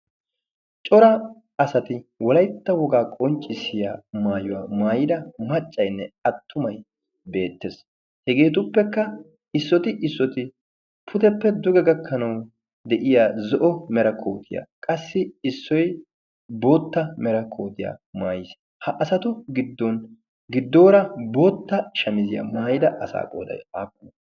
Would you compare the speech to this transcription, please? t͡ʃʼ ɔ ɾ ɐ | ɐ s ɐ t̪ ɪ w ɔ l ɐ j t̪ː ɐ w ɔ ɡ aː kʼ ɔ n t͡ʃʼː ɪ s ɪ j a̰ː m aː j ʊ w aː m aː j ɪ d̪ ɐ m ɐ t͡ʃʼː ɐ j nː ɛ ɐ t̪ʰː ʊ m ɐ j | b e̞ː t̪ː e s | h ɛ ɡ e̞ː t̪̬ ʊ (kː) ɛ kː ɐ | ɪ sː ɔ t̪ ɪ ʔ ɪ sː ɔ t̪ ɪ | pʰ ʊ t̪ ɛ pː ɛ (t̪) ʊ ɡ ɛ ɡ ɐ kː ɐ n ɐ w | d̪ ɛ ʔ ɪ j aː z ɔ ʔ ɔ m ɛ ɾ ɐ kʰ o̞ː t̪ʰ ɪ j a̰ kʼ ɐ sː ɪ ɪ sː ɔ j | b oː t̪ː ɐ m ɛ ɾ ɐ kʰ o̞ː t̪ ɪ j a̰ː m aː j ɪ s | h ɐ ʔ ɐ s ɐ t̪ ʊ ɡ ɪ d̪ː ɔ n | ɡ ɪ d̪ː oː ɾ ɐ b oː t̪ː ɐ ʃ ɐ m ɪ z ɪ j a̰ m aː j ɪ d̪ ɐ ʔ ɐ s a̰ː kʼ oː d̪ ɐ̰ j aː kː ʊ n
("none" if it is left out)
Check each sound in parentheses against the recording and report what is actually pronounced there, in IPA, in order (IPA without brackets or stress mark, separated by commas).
pː, d̪